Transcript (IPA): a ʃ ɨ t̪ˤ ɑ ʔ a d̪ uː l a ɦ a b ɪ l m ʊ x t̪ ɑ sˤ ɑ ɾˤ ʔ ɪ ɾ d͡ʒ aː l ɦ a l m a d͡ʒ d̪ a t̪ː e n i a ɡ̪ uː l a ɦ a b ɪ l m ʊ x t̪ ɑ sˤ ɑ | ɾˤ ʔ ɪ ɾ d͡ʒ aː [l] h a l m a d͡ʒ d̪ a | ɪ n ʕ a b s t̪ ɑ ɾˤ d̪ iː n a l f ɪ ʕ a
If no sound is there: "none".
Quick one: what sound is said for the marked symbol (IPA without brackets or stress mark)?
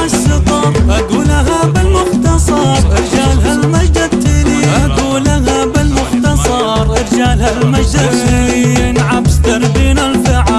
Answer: l